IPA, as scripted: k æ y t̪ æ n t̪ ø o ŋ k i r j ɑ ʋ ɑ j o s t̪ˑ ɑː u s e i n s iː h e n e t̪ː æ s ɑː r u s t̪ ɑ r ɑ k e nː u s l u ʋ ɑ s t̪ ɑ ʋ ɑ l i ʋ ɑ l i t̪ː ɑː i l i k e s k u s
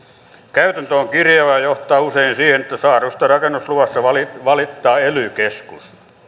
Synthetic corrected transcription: k æ y t̪ æ n t̪ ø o ŋ k i r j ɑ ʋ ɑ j o h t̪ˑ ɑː u s e i n s iː h e n e t̪ː æ s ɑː r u s t̪ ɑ r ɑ k e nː u s l u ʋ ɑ s t̪ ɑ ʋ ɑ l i ʋ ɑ l i t̪ː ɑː e l y k e s k u s